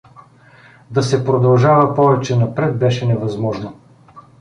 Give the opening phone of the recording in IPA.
d̪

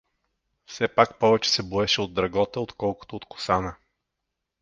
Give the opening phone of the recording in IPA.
f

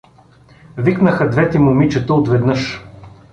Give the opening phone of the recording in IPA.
v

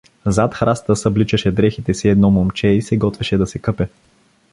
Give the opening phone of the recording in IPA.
z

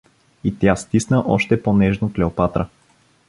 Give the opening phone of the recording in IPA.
i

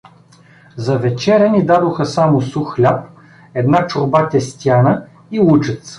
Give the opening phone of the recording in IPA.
z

